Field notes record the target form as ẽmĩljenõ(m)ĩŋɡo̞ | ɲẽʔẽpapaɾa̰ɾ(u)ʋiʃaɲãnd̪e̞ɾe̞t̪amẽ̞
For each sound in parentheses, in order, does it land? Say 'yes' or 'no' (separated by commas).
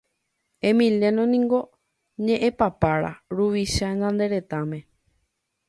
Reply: no, yes